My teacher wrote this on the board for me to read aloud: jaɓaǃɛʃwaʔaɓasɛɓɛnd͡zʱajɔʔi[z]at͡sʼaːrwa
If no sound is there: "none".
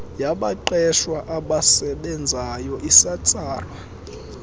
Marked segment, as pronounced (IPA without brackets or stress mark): s